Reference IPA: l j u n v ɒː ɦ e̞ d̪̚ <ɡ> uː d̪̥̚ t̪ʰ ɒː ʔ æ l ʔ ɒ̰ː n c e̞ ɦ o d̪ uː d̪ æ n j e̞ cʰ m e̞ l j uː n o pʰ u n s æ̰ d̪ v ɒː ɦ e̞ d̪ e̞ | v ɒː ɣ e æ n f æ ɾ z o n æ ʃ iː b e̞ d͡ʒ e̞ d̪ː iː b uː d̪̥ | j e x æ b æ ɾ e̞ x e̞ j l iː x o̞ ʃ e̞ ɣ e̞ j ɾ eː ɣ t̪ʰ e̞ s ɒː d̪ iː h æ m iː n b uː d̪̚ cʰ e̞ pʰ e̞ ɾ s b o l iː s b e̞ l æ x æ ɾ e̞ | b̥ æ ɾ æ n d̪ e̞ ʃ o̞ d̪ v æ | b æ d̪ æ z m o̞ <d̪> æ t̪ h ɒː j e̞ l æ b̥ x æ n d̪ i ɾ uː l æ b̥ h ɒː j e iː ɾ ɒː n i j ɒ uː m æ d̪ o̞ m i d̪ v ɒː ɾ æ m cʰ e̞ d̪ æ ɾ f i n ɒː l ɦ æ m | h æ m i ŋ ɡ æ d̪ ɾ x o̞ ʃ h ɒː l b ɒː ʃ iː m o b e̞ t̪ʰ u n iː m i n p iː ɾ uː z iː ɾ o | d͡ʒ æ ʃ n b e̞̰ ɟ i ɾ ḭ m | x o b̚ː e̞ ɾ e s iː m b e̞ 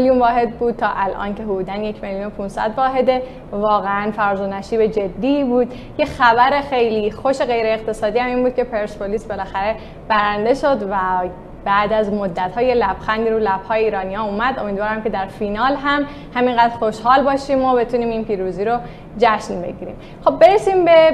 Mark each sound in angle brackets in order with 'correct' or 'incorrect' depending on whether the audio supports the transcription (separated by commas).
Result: incorrect, incorrect